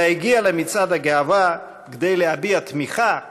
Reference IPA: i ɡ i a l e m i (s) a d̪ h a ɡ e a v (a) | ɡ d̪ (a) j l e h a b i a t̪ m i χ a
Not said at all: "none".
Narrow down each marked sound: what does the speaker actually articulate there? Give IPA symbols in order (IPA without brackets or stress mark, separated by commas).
t͡s, a, e